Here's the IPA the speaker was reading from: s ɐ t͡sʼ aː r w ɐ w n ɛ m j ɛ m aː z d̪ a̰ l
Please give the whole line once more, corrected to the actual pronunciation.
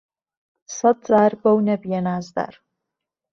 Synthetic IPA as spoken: s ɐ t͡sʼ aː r b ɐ w n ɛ b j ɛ n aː z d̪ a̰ r